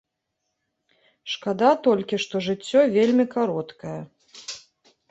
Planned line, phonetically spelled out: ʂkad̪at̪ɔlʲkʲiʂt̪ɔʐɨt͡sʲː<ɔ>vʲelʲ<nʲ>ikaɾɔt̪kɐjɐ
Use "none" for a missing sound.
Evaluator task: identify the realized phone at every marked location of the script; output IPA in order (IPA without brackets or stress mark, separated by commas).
ɔ, mʲ